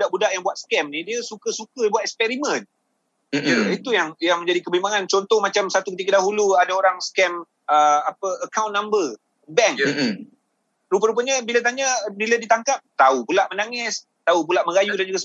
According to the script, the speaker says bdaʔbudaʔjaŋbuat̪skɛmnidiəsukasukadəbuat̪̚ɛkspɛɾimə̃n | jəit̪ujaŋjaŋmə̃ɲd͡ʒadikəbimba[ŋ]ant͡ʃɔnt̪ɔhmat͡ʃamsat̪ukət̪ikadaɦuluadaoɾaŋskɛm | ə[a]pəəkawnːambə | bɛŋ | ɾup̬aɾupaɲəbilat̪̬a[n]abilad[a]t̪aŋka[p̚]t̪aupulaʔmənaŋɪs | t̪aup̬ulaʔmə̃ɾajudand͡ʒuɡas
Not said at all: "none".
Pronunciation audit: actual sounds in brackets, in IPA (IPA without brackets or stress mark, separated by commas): ŋ, a, ɲ, i, p̚